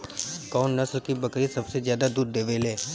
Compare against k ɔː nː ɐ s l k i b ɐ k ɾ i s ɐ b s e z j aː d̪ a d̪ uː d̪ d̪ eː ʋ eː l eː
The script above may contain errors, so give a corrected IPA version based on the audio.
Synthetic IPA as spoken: k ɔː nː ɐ s l k i b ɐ k ɾ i s ɐ b s e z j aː d̪ a d̪ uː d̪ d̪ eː ʋ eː l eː